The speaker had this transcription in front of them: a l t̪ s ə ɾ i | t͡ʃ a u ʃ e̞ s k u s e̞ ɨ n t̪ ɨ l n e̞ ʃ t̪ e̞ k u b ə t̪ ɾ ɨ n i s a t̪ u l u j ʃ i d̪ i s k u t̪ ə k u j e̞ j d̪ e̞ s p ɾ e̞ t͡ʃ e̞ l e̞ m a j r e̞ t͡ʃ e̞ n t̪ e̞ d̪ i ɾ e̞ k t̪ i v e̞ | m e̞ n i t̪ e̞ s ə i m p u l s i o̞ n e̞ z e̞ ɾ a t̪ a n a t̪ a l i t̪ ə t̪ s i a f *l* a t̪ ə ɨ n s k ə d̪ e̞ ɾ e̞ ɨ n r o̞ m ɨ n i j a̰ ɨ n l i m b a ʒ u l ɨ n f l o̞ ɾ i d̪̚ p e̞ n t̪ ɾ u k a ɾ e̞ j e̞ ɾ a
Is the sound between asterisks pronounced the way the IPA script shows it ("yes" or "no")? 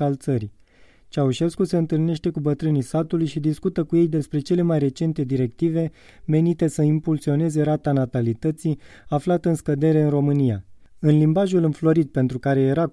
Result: yes